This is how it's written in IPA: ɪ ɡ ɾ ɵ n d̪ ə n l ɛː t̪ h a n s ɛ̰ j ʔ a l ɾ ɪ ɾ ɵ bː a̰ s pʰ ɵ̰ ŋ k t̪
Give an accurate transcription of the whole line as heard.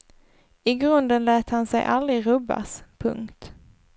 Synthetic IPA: ɪ ɡ ɾ ɵ n d̪ ə n l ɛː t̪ h a n s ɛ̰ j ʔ a l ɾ ɪ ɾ ɵ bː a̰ s pʰ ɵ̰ ŋ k t̪